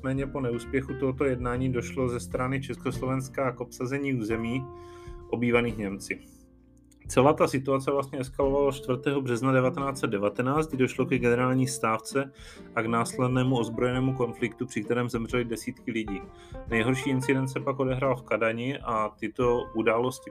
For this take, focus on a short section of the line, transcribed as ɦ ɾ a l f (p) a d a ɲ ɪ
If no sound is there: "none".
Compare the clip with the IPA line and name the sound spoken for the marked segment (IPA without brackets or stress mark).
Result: k